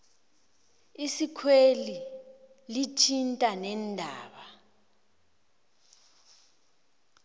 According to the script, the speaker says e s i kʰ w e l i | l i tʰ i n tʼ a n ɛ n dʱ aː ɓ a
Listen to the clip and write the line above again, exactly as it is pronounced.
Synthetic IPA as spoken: i s i kʰ w e l i | l i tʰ i n tʼ a n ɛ n dʱ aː ɓ a